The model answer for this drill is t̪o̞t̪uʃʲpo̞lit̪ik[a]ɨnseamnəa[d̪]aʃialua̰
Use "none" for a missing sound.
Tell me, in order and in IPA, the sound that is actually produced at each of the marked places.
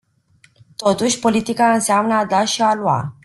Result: a, d̪

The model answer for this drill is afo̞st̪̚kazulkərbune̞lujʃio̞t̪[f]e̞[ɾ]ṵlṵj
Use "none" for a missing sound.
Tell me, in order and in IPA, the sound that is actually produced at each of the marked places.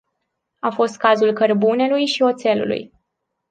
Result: s, l

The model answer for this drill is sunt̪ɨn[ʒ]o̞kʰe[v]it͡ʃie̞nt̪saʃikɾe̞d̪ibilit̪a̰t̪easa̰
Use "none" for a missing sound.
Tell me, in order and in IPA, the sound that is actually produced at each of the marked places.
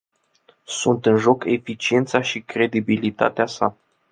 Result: ʒ, f

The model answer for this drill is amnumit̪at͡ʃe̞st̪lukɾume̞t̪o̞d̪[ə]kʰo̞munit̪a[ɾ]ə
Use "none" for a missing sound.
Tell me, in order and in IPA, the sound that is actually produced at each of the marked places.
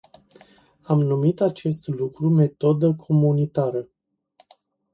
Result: ə, ɾ

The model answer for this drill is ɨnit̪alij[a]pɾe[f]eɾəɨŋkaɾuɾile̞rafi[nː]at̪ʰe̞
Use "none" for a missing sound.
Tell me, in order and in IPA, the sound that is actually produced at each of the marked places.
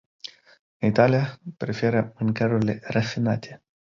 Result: a, f, n

